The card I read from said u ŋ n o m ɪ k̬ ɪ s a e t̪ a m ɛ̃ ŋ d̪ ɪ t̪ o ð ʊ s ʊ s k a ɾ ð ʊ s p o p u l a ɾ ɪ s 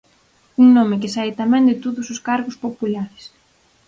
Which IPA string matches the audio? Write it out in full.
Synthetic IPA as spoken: u ŋ n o m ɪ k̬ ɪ s a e t̪ a m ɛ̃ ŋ d̪ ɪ t̪ o ð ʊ s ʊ s k a ɾ ɣ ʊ s p o p u l a ɾ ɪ s